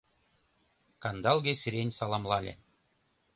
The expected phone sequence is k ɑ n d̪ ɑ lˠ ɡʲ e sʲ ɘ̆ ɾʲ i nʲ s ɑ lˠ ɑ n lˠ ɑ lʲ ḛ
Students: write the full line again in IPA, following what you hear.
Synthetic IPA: k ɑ n d̪ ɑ lˠ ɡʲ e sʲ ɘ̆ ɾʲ e nʲ s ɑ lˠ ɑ m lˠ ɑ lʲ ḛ